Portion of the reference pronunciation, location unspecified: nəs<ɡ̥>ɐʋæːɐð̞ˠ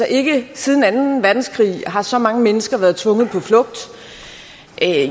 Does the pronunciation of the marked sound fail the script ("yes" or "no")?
no